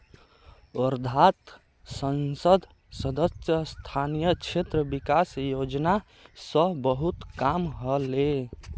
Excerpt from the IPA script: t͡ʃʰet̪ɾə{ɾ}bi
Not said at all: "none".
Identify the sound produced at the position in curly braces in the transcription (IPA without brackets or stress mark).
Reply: none